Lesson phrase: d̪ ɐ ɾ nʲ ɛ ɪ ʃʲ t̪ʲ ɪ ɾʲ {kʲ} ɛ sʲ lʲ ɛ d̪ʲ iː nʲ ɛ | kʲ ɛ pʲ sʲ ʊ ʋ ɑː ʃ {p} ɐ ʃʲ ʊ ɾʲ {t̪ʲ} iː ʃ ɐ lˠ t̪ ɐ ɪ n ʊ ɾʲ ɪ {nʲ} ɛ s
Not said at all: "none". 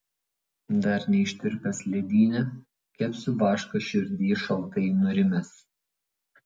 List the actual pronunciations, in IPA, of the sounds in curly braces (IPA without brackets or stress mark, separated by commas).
pʲ, k, d̪ʲ, mʲ